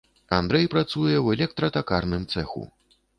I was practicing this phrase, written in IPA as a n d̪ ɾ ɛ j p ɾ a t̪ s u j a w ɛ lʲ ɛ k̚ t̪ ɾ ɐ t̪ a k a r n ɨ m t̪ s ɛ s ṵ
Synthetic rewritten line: a n d̪ ɾ ɛ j p ɾ a t̪ s u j ɛ w ɛ lʲ ɛ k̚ t̪ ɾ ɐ t̪ a k a r n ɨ m t̪ s ɛ x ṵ